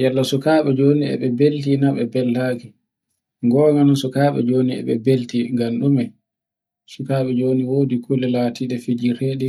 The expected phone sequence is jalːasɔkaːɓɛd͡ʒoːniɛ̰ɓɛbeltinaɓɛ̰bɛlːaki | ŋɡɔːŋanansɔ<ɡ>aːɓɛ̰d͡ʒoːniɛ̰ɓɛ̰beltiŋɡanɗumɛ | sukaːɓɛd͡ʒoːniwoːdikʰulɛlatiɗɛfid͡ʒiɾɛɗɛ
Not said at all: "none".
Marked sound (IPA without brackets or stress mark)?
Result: k